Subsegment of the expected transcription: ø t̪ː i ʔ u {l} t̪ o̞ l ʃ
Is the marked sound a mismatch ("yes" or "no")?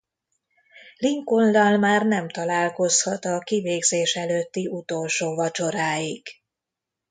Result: yes